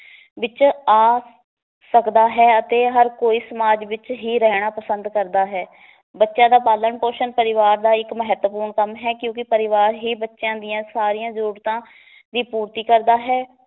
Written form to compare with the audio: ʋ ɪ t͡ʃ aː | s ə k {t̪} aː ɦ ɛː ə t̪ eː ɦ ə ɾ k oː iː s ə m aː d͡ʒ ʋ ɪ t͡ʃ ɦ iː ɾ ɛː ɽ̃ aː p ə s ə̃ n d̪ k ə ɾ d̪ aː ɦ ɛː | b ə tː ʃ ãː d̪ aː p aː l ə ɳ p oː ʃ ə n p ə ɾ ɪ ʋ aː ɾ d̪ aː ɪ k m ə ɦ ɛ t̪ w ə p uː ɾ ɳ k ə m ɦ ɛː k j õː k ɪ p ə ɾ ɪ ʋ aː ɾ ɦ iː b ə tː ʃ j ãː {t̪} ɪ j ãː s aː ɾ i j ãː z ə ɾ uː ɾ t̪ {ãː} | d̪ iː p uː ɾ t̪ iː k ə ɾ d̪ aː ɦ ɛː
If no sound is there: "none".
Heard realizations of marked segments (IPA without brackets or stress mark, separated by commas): d̪, d̪, ãː